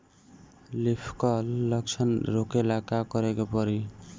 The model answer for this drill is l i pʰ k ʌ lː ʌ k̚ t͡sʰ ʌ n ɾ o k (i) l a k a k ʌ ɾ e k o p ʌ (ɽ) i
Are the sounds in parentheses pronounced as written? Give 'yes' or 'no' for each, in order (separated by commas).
no, no